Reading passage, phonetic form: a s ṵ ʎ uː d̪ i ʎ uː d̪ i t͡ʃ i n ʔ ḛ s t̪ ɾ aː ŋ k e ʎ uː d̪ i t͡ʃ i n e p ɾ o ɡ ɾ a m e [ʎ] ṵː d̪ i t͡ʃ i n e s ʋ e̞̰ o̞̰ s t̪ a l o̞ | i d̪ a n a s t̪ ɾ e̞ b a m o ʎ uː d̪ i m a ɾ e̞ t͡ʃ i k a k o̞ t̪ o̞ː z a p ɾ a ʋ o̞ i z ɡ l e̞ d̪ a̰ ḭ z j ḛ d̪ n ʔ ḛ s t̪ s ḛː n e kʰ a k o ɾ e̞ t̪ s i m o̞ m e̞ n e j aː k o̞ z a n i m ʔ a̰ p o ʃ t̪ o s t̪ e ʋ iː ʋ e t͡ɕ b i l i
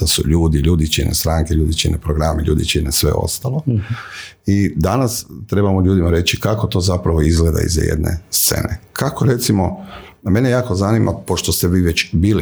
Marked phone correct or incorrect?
correct